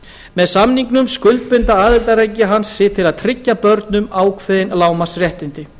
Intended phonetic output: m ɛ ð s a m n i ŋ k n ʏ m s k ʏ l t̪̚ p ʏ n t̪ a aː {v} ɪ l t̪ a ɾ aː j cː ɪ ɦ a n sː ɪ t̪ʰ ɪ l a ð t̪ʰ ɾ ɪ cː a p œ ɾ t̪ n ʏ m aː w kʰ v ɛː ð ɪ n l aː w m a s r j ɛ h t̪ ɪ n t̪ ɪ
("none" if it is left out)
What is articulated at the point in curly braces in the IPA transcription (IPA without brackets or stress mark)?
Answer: ð